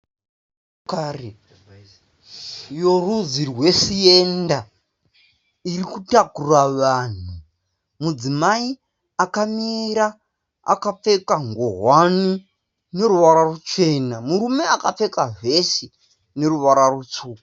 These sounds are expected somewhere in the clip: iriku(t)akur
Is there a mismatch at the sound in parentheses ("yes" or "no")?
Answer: no